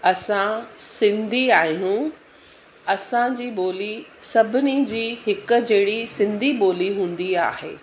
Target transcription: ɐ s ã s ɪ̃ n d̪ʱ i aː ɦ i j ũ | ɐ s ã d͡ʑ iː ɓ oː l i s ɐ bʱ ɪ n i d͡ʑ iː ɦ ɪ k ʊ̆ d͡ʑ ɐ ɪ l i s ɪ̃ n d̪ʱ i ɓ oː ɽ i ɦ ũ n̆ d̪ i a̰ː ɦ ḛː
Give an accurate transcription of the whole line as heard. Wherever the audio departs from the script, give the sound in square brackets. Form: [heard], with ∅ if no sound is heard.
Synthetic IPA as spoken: ɐ s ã s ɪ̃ n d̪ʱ i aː ɦ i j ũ | ɐ s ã d͡ʑ iː ɓ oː l i s ɐ bʱ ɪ n i d͡ʑ iː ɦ ɪ k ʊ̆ d͡ʑ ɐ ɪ [ɽ] i s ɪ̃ n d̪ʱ i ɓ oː [l] i ɦ [ũː] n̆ d̪ i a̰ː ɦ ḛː